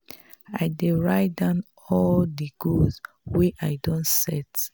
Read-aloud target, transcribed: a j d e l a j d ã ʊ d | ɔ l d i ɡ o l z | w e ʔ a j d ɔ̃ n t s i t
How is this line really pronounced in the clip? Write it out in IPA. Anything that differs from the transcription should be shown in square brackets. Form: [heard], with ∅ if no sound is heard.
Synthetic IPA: a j d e [ɹ] a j d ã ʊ [n] | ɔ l d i ɡ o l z | w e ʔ a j d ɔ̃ n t s [ɛ] t